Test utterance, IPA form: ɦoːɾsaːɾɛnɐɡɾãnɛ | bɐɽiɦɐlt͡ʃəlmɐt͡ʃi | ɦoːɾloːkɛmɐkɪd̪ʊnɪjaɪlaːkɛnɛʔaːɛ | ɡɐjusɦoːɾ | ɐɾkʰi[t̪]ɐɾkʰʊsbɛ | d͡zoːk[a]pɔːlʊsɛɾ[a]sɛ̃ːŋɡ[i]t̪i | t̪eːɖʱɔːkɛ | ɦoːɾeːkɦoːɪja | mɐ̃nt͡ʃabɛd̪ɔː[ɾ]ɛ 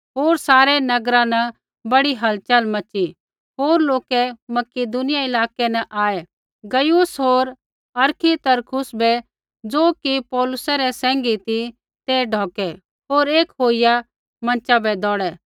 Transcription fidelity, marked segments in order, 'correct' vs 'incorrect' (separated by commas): correct, incorrect, incorrect, correct, incorrect